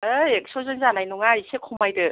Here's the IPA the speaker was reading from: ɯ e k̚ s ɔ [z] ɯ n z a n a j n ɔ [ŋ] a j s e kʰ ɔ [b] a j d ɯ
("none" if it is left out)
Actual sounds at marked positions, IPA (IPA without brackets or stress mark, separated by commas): z, ŋ, m